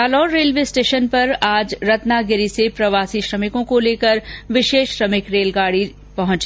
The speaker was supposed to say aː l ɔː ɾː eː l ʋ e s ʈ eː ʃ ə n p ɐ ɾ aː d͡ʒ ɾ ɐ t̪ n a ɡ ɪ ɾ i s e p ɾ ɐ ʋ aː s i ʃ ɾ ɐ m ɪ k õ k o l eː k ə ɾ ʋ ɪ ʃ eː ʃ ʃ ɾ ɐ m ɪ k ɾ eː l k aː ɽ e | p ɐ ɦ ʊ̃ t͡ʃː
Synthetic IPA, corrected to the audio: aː l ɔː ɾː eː l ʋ e s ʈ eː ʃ ə n p ɐ ɾ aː d͡ʒ ɾ ɐ t̪ n a ɡ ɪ ɾ i s e p ɾ ɐ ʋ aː s i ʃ ɾ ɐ m ɪ k õ k o l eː k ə ɾ ʋ ɪ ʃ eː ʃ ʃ ɾ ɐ m ɪ k ɾ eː l ɡ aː ɽ i | p ɐ ɦ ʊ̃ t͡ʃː